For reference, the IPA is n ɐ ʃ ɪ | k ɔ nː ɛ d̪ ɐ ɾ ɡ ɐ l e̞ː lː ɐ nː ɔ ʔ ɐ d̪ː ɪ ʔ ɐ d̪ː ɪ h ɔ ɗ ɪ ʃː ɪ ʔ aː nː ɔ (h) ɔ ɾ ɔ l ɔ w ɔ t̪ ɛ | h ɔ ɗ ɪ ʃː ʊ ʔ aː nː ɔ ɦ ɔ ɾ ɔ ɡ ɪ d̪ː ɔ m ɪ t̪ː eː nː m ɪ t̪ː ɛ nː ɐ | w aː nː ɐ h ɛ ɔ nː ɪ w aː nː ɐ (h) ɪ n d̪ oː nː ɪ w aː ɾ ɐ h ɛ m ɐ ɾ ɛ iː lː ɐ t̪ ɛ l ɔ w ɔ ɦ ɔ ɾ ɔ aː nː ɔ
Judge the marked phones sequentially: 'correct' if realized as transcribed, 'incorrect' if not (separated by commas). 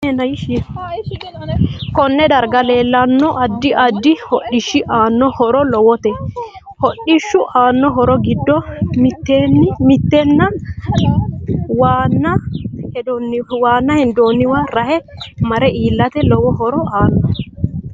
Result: correct, correct